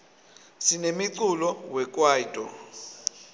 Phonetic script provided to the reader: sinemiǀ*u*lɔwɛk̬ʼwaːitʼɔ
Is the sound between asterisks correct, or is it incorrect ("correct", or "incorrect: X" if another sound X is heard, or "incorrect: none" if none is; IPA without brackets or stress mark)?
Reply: correct